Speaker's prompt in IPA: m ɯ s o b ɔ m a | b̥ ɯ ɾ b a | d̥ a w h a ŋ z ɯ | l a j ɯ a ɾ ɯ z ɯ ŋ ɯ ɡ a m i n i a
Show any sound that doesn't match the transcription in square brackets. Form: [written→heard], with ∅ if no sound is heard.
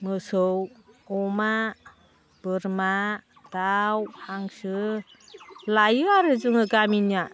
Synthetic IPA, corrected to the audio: m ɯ s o [b→w] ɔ m a | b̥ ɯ ɾ [b→m] a | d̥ a w h a ŋ [z→s] ɯ | l a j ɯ a ɾ ɯ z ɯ ŋ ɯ ɡ a m i n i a